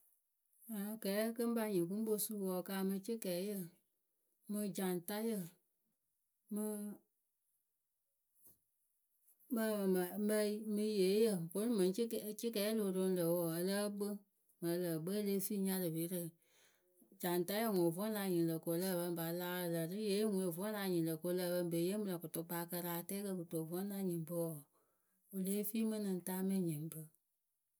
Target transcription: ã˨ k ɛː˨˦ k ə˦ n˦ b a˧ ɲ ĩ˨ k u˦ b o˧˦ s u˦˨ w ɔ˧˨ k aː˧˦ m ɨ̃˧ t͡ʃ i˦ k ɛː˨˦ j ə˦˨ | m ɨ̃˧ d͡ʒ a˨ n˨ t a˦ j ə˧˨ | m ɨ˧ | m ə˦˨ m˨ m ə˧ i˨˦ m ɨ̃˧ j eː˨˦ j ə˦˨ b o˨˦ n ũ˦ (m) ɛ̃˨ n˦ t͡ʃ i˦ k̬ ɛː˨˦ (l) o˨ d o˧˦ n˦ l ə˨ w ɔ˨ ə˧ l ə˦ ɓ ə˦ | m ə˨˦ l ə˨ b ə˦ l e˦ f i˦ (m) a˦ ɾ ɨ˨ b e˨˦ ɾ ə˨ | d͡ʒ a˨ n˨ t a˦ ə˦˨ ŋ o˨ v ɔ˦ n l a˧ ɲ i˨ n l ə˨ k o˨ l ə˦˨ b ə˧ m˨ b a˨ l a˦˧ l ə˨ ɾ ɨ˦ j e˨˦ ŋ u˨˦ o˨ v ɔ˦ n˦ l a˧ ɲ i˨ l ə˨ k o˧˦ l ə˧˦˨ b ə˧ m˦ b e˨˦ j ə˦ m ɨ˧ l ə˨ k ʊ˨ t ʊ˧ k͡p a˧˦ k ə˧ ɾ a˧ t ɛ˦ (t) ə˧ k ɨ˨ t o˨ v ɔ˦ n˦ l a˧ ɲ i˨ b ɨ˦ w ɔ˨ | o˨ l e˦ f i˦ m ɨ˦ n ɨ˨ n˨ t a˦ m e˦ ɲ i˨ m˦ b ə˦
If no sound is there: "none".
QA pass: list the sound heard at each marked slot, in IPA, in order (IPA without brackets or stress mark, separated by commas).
m, l, ɲ, k